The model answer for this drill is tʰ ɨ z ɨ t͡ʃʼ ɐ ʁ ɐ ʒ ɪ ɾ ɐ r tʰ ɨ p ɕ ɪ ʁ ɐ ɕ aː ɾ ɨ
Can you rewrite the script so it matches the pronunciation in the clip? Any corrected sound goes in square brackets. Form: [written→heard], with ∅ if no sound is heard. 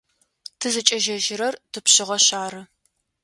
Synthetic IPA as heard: tʰ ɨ z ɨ t͡ʃʼ ɐ [ʁ→ʒ] ɐ ʒ ɪ ɾ ɐ r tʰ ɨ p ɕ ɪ ʁ ɐ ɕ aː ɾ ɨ